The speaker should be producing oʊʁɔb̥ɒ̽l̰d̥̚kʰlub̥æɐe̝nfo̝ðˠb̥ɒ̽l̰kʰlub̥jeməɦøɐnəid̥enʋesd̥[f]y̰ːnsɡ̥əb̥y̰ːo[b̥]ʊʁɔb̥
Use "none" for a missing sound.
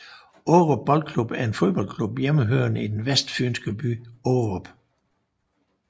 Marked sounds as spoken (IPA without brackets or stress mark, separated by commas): f, none